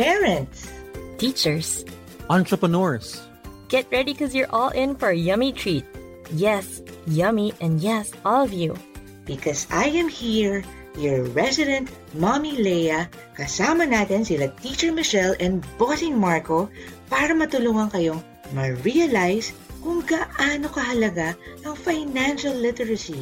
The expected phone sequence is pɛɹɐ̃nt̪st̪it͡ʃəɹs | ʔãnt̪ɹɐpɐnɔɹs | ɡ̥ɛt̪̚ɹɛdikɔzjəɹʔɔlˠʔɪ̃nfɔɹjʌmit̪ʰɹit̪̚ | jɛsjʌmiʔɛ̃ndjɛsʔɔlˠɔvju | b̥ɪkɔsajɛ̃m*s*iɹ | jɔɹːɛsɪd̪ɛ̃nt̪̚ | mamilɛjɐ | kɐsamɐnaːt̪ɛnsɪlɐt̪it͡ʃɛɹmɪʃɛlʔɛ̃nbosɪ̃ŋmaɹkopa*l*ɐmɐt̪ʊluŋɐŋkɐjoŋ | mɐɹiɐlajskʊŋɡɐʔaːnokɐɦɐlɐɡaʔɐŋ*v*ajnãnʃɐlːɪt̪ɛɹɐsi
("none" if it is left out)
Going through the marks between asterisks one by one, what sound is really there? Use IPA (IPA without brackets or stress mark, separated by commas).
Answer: h, ɾ, f